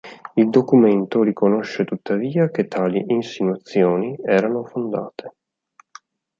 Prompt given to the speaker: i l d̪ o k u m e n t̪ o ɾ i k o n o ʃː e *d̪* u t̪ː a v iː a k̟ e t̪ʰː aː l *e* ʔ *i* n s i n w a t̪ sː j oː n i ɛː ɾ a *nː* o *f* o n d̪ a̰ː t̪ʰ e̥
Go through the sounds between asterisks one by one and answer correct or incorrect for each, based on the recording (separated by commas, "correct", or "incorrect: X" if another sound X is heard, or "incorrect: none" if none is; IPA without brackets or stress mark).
incorrect: t̪, incorrect: i, correct, incorrect: n, correct